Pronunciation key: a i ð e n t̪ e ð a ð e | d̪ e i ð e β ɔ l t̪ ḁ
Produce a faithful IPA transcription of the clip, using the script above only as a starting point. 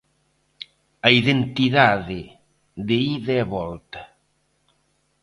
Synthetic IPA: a i ð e n t̪ i ð a ð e | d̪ e i ð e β ɔ l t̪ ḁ